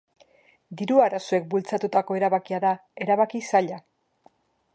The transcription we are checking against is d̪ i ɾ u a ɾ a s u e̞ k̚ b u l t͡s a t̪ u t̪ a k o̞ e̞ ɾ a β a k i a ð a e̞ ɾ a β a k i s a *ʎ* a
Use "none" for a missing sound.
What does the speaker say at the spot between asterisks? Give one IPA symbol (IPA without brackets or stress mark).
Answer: ʎ